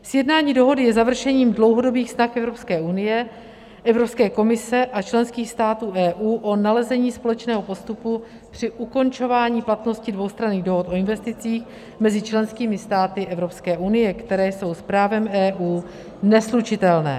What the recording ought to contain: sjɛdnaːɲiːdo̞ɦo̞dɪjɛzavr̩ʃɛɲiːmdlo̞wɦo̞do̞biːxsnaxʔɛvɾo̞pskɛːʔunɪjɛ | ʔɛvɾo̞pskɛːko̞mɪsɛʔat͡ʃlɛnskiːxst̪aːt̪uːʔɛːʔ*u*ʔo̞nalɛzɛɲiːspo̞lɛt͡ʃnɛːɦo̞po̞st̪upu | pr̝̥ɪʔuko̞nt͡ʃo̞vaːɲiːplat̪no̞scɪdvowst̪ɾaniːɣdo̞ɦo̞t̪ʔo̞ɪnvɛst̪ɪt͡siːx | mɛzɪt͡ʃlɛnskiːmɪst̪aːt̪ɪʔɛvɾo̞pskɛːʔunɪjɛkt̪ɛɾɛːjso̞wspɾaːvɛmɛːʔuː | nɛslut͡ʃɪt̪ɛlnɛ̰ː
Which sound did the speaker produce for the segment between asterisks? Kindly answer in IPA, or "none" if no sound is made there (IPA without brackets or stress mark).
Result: uː